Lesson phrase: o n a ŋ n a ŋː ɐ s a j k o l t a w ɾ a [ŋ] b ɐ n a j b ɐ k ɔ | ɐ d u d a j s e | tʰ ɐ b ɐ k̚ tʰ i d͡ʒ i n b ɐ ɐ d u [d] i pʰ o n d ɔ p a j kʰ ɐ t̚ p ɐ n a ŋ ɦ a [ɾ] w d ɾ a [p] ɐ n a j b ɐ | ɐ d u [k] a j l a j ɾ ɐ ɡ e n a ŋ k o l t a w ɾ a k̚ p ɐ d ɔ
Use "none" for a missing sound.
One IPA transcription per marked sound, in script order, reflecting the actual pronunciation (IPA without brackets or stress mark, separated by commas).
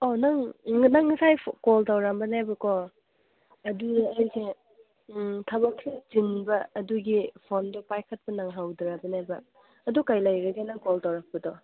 m, ɡ, none, b, k